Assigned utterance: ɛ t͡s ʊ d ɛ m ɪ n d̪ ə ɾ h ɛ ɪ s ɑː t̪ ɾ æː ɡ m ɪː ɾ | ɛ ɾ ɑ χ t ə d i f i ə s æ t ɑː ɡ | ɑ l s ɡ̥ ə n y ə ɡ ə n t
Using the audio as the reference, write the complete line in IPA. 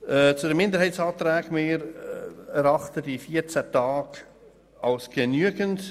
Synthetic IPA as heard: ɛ t͡s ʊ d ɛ m ɪ n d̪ ə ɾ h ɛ ɪ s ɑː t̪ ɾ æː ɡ m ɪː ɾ | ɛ ɾ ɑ χ t ə d i f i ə t͡s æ t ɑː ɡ | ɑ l s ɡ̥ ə n y ə ɡ ə n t